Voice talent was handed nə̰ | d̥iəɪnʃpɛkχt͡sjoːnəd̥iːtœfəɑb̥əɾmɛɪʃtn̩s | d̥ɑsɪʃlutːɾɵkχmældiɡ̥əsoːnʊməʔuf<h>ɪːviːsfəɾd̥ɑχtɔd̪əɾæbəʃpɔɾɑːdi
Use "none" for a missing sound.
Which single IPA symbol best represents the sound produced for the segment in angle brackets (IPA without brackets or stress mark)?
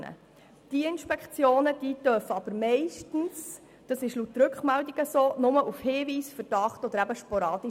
h